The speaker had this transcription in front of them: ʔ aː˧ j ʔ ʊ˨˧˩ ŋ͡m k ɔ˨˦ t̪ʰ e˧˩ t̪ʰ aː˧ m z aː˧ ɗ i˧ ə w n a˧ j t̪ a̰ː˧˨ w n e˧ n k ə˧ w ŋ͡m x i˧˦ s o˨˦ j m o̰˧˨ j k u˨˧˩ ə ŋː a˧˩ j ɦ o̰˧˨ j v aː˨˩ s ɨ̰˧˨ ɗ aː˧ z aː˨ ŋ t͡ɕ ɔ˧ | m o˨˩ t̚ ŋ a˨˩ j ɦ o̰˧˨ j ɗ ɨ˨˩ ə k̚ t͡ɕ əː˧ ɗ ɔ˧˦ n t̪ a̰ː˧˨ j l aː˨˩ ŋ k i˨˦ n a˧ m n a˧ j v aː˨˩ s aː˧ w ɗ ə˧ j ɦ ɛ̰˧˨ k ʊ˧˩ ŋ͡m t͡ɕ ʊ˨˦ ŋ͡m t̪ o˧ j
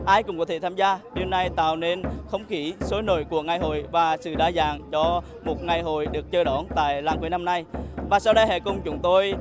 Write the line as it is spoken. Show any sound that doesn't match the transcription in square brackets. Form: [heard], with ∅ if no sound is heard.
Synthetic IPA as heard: ʔ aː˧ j [k] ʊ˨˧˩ ŋ͡m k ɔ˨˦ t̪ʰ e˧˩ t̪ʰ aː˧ m z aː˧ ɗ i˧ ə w n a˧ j t̪ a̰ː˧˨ w n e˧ n [x] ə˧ w ŋ͡m x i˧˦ s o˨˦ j [n] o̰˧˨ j k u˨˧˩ ə [ŋ] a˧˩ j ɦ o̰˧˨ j v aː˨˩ s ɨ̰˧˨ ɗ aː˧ z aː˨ ŋ t͡ɕ ɔ˧ | m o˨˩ t̚ ŋ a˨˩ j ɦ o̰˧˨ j ɗ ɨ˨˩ ə k̚ t͡ɕ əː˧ ɗ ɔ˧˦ n t̪ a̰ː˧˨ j l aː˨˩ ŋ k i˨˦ n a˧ m n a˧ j v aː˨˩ s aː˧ w ɗ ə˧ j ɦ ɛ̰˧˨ k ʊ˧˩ ŋ͡m t͡ɕ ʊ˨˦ ŋ͡m t̪ o˧ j

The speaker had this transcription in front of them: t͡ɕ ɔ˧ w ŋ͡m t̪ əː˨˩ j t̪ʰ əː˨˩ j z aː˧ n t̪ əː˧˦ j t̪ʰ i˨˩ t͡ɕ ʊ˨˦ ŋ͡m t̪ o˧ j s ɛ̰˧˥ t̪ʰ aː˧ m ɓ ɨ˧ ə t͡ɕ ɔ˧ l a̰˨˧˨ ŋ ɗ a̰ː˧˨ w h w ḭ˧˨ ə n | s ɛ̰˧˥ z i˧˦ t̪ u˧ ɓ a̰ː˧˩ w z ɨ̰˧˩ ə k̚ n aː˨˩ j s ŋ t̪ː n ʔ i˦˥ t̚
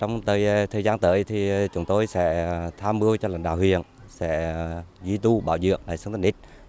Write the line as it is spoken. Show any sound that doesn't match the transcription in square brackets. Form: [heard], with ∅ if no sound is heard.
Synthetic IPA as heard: t͡ɕ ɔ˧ w ŋ͡m t̪ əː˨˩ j t̪ʰ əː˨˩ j z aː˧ n t̪ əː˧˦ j t̪ʰ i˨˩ t͡ɕ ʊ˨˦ ŋ͡m t̪ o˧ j s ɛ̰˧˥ t̪ʰ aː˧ m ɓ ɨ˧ ə t͡ɕ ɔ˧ l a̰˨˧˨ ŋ ɗ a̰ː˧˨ w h w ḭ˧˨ ə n | s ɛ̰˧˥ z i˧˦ t̪ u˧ ɓ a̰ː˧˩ w z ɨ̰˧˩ ə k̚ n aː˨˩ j s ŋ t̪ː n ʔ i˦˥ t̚

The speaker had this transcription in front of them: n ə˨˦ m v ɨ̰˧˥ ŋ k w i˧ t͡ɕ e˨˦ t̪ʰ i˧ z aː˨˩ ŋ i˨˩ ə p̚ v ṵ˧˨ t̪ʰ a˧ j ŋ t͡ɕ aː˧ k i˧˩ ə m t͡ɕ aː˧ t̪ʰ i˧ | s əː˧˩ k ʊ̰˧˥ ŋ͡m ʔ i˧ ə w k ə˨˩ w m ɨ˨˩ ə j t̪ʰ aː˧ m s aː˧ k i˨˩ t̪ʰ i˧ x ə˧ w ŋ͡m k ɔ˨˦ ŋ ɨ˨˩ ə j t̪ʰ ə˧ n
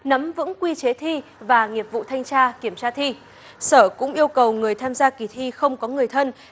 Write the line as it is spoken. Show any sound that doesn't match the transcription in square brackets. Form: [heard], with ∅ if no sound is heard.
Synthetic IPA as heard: n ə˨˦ m v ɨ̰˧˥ ŋ k w i˧ t͡ɕ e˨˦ t̪ʰ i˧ [v] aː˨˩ ŋ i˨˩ ə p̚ v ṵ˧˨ t̪ʰ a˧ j ŋ t͡ɕ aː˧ k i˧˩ ə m t͡ɕ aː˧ t̪ʰ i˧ | s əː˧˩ k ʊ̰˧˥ ŋ͡m ʔ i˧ ə w k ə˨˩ w [ŋ] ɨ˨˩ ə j t̪ʰ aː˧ m [z] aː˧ k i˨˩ t̪ʰ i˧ x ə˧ w ŋ͡m k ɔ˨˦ ŋ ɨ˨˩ ə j t̪ʰ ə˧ n

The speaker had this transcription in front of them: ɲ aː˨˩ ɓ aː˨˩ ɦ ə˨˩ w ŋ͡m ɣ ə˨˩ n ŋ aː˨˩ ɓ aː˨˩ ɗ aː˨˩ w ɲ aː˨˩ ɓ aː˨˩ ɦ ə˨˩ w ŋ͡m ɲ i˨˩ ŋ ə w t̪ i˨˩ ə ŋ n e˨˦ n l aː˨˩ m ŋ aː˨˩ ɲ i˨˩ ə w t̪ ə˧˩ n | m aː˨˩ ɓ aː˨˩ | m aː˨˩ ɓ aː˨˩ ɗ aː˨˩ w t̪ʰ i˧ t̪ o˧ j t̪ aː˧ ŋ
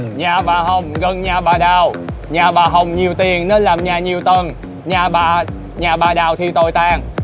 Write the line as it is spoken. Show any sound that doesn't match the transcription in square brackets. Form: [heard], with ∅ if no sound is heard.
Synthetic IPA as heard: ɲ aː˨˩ ɓ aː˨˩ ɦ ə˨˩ w ŋ͡m ɣ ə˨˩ n [ɲ] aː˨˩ ɓ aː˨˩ ɗ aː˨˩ w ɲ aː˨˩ ɓ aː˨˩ ɦ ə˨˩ w ŋ͡m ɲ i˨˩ [∅] ə w t̪ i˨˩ ə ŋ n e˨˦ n l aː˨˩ m [ɲ] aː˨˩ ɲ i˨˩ ə w t̪ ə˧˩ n | [ɲ] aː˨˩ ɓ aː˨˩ | [ɲ] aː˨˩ ɓ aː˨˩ ɗ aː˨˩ w t̪ʰ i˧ t̪ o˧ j t̪ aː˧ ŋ

